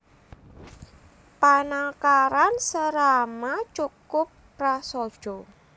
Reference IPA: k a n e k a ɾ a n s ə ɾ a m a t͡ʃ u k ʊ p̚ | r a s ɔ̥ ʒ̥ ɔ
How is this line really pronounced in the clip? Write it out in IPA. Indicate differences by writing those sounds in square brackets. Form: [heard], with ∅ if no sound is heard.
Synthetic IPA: [p] a n [a] k a ɾ a n s ə ɾ a m a t͡ʃ u k ʊ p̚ | r a s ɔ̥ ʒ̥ ɔ